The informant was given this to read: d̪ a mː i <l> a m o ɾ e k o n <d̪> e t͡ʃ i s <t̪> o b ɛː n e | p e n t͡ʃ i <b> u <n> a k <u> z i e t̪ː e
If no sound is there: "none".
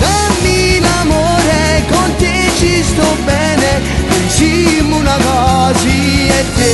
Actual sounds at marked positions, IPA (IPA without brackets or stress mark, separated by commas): l, t̪, t̪, m, n, ɔ